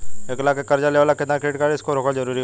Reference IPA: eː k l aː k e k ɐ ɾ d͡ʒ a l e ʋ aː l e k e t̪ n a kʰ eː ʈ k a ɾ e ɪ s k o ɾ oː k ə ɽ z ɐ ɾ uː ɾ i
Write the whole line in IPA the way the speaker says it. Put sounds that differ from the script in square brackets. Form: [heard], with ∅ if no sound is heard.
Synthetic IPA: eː k l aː k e k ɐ ɾ d͡ʒ a l e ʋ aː l [a] k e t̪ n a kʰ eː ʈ k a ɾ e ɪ s k o ɾ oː k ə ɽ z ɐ ɾ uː ɾ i